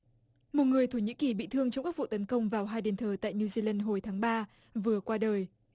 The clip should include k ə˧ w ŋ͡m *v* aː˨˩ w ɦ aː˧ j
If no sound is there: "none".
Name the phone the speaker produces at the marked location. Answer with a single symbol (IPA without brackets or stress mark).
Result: v